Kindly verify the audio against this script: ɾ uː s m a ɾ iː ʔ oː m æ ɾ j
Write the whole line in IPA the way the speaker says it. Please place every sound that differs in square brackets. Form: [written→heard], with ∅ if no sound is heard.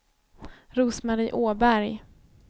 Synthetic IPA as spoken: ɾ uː s m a ɾ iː ʔ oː [m→b] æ ɾ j